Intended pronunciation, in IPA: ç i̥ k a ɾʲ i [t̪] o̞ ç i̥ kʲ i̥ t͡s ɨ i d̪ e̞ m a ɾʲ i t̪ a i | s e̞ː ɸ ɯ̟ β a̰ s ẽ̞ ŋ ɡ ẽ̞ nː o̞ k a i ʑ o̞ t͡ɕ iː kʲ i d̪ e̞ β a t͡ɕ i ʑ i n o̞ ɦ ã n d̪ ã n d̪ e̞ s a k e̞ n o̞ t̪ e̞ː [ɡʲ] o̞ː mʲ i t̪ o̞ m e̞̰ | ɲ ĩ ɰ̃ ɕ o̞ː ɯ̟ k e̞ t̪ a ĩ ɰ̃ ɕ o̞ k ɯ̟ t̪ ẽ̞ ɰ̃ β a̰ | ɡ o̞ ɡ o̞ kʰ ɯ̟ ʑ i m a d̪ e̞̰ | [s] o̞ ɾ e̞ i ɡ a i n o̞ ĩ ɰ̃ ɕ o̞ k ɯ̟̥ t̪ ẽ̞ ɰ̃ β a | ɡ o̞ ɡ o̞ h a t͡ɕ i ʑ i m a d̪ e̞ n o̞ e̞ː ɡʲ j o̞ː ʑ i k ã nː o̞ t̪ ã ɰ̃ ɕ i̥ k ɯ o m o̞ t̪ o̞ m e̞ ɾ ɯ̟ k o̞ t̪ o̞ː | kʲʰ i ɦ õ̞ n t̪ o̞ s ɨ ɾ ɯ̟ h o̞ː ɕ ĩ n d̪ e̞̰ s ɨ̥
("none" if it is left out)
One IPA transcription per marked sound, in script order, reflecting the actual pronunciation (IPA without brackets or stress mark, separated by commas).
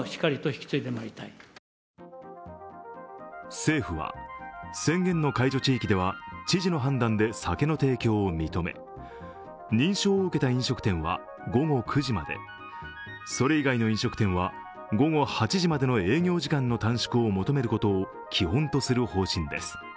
t̪, kʲ, s